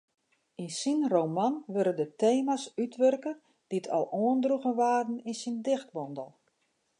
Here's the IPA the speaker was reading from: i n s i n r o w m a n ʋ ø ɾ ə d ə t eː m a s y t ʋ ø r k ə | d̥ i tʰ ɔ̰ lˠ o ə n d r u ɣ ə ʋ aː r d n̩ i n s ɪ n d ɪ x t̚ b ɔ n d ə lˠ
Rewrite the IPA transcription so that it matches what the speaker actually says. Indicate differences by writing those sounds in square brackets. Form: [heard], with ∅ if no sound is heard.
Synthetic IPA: i n s i n r o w m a n ʋ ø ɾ ə d ə t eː m a s y t ʋ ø r k ə | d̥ i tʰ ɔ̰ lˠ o ə n d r u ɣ ə ʋ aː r d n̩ i n s [i] n d ɪ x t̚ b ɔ n d ə lˠ